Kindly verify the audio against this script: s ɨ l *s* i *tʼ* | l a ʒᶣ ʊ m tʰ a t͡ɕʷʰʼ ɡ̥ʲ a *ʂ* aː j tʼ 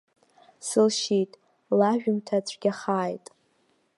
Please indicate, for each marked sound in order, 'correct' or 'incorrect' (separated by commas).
incorrect, correct, incorrect